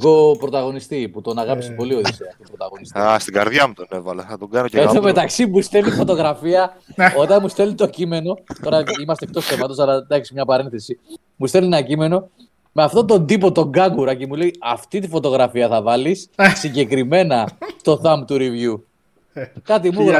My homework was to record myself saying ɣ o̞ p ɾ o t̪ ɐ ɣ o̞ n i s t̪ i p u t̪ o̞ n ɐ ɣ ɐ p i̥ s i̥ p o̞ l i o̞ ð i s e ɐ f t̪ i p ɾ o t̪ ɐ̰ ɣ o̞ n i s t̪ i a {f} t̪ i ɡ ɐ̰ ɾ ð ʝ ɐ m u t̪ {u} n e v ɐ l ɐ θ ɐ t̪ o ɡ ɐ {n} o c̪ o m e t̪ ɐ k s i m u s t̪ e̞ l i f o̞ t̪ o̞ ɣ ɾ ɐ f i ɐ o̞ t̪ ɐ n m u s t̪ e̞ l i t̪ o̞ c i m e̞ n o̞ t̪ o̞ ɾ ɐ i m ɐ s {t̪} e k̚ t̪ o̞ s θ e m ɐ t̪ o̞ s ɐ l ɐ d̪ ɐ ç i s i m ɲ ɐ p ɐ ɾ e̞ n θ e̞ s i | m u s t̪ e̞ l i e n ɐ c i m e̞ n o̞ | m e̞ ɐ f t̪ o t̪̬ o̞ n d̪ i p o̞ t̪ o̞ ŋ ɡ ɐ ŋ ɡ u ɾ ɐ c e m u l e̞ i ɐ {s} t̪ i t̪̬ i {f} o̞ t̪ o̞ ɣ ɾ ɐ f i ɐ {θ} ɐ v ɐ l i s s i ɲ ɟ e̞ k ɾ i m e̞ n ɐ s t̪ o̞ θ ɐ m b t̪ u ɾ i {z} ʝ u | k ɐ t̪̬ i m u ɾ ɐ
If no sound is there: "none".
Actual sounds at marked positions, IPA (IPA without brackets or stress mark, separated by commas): s, o, n, t̪, f, f, θ, v